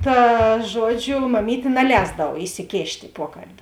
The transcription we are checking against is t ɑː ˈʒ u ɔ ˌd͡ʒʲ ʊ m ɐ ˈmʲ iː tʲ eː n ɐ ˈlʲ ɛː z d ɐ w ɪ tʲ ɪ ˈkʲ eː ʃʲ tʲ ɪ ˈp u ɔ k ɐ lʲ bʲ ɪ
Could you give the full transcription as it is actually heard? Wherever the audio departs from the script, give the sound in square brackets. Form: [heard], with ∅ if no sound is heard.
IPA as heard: t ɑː ˈʒ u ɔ ˌd͡ʒʲ ʊ m ɐ ˈmʲ iː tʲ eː n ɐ ˈlʲ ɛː z d ɐ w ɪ [sʲ] ɪ ˈkʲ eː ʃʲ tʲ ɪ ˈp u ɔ k ɐ lʲ bʲ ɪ